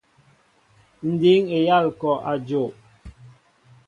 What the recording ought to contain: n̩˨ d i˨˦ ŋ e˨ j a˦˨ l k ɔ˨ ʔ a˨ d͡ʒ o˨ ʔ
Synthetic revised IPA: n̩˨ d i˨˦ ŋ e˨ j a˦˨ l k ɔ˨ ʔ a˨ d͡ʒ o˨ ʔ